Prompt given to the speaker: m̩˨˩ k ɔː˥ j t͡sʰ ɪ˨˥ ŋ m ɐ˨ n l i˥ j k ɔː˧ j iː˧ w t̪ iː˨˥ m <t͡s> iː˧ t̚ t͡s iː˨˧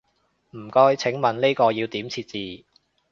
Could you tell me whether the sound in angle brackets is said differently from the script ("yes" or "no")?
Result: yes